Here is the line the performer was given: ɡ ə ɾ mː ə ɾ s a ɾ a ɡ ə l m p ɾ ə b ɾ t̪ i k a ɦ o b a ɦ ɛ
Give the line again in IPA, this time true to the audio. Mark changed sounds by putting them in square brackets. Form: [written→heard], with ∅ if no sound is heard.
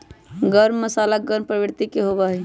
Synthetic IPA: ɡ ə ɾ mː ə [ɾ→∅] s a [ɾ→l] a ɡ ə [l→ɾ] m p ɾ ə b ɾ t̪ i k [a→e] ɦ o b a ɦ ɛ